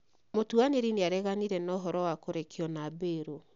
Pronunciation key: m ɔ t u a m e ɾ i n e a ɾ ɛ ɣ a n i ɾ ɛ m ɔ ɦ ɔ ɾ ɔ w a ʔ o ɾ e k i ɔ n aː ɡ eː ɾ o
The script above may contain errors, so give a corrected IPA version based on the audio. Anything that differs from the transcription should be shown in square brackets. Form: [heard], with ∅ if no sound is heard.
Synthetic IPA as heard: m [o] t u a [n] e ɾ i n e a ɾ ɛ ɣ a n i ɾ ɛ [n] ɔ ɦ ɔ ɾ ɔ w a [k] o ɾ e k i ɔ n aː [b] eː ɾ o

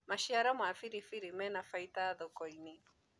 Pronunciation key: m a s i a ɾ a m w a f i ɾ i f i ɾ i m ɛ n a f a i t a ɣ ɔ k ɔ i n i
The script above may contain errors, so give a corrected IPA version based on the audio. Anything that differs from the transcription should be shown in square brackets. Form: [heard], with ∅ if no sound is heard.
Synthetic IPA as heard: m a [ʃ] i a ɾ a m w a f i ɾ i f i ɾ i m ɛ n a f a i t a [ð] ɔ k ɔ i n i

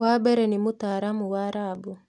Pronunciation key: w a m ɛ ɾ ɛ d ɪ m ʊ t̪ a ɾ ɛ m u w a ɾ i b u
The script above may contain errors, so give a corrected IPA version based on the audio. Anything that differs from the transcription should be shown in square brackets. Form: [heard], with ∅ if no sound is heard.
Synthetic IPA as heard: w a [b] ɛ ɾ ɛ [n] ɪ m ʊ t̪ a ɾ [a] m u w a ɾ [a] b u

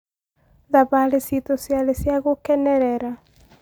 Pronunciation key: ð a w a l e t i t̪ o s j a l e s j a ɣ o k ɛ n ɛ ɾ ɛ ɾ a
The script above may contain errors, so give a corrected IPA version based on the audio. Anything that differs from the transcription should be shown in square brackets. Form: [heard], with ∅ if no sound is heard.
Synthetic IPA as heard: ð a [β] a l e [s] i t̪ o s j a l e s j a ɣ o k ɛ n ɛ ɾ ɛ ɾ a

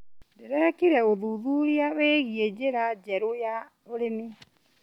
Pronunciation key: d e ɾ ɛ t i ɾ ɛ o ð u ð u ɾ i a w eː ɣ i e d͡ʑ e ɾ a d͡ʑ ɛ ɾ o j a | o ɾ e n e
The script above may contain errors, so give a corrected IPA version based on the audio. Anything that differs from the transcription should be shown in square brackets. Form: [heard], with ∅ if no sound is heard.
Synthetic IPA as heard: d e ɾ ɛ [k] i ɾ ɛ o ð u ð u ɾ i a w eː ɣ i e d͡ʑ e ɾ a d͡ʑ ɛ ɾ o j a | o ɾ e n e

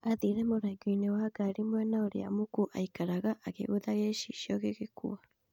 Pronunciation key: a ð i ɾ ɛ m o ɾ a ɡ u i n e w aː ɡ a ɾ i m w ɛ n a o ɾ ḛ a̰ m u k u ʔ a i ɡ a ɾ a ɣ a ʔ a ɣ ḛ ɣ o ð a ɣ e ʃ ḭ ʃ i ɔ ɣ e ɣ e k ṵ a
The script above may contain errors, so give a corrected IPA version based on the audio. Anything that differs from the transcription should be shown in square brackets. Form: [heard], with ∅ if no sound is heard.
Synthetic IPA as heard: a ð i ɾ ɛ m o ɾ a ɡ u i n e w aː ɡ a ɾ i m w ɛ n a o ɾ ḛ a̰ m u k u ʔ a i [k] a ɾ a ɣ a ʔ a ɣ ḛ ɣ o ð a ɣ e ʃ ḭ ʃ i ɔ ɣ e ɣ e k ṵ a

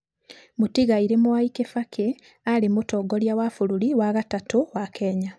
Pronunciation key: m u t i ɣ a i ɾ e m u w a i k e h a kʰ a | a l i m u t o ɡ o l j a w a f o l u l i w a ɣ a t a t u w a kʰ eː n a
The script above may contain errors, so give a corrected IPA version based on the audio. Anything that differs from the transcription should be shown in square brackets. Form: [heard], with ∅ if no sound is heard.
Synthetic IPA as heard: m u t i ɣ a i ɾ e m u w a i k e [f] a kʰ [e] | a l i m u t o ɡ o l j a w a f [u] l u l i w a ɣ a t a t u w a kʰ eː [ɲ] a

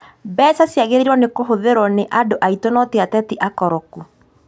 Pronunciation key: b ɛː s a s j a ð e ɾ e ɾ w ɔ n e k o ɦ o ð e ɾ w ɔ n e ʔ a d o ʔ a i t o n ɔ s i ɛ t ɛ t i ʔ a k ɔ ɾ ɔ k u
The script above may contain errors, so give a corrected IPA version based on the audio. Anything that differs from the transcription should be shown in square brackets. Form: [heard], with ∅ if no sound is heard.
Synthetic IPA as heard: b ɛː s a s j a [ɣ] e ɾ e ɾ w ɔ n e k o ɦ o ð e ɾ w ɔ n e ʔ a d o ʔ a i t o n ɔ [t] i [a] t ɛ t i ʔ a k ɔ ɾ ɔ k u

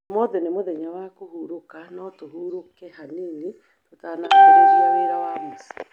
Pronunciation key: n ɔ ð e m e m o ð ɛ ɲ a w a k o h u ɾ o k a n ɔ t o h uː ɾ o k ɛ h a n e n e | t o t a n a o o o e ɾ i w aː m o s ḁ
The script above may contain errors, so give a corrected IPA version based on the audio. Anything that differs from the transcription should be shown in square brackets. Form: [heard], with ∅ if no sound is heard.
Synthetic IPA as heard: [m] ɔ ð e [n] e m o ð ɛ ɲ a w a k o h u ɾ o k a n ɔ t o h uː ɾ o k ɛ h a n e n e | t o t a n a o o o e ɾ [a] w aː m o s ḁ

